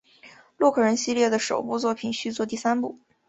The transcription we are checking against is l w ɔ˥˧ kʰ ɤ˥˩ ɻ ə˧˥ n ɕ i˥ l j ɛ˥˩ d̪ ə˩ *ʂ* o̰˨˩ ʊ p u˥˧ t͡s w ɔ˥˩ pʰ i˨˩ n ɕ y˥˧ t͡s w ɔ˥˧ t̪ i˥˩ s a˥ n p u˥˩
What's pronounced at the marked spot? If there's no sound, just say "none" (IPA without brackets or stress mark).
ʂ